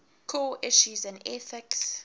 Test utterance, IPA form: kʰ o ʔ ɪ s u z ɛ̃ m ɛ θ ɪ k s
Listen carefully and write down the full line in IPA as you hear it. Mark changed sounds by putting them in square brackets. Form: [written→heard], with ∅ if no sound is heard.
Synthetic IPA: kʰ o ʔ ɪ [s→ʃ] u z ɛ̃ [m→n] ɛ θ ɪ k s